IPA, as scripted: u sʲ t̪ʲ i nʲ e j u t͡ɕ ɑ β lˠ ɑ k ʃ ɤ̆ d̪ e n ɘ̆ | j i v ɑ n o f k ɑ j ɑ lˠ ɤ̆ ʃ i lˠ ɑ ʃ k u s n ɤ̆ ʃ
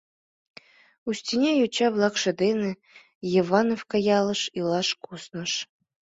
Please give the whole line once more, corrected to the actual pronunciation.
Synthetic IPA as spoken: u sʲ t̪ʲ i nʲ e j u t͡ɕ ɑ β lˠ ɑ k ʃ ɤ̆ d̪ e n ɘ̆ | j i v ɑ n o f k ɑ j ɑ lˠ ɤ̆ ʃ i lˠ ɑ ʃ k u s n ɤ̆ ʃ